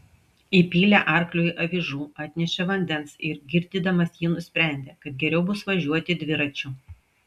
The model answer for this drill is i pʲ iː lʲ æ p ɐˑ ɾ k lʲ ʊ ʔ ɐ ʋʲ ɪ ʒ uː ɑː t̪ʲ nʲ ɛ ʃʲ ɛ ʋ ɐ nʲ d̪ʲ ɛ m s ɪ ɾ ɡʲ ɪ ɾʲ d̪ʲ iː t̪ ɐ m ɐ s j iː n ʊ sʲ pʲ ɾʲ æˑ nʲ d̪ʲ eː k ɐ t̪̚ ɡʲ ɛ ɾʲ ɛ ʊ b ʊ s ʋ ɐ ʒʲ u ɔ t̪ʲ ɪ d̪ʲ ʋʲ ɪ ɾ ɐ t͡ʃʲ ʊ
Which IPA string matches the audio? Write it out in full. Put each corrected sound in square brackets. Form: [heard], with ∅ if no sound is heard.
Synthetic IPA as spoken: i pʲ iː lʲ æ [ʔ] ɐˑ ɾ k lʲ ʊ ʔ ɐ ʋʲ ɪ ʒ uː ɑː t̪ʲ nʲ ɛ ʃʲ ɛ ʋ ɐ nʲ d̪ʲ ɛ [n] s ɪ ɾ ɡʲ ɪ ɾʲ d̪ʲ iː [d̪] ɐ m ɐ s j iː n ʊ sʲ pʲ ɾʲ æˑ nʲ d̪ʲ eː k ɐ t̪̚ ɡʲ ɛ ɾʲ ɛ ʊ b ʊ s ʋ ɐ ʒʲ u ɔ t̪ʲ ɪ d̪ʲ ʋʲ ɪ ɾ ɐ t͡ʃʲ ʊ